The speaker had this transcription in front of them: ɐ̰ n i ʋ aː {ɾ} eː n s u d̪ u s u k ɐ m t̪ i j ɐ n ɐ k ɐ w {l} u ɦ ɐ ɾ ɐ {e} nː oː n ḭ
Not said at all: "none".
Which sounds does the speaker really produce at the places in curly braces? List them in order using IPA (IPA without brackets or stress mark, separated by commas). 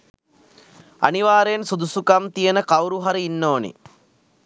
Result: ɾ, ɾ, i